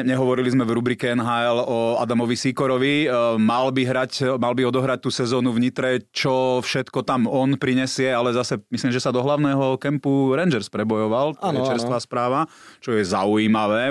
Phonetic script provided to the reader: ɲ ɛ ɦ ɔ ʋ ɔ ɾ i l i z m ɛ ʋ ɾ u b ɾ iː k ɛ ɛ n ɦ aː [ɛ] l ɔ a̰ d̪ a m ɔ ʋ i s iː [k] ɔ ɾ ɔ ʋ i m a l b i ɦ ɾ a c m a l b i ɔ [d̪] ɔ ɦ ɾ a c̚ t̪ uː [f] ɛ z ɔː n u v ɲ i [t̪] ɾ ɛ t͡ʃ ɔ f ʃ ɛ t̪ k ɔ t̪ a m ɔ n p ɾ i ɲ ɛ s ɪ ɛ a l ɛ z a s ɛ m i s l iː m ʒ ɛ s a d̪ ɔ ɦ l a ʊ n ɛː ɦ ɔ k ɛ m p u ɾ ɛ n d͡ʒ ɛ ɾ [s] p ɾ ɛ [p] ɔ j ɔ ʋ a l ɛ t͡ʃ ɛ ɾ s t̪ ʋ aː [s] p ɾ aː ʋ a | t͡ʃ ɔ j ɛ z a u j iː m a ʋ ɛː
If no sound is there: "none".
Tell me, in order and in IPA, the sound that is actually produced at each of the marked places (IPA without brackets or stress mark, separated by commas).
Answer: ɛ, k, d̪, s, t̪, s, b, s